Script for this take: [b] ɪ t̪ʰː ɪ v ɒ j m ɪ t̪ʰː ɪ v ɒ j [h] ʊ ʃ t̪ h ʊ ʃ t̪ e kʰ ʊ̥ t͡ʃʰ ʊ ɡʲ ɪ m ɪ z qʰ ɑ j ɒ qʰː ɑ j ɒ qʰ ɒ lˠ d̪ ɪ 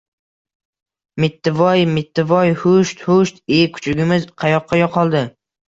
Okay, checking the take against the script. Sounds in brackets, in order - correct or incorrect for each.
incorrect: m, correct

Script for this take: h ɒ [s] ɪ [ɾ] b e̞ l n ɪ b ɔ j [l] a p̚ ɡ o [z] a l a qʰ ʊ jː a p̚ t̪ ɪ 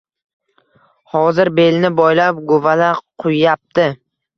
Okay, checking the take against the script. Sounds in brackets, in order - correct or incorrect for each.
incorrect: z, correct, correct, incorrect: v

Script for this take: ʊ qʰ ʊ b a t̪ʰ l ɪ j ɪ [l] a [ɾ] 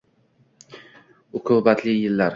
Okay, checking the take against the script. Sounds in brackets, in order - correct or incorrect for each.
incorrect: lː, correct

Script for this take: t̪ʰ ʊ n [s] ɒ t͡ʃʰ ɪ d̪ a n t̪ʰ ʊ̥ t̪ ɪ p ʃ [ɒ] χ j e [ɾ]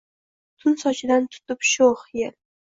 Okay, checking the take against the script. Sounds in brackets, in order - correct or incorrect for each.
correct, incorrect: o, incorrect: l

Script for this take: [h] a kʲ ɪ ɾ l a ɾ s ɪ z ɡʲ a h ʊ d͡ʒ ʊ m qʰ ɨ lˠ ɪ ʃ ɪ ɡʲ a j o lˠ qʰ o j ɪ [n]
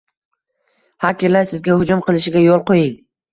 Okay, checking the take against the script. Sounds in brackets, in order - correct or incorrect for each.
correct, incorrect: ŋ

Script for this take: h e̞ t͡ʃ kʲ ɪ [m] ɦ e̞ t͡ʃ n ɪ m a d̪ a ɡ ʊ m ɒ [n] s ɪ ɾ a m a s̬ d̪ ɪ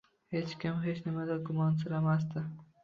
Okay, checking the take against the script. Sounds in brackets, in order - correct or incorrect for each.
correct, correct

